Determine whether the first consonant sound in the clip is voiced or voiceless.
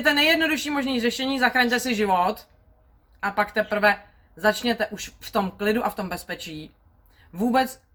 voiceless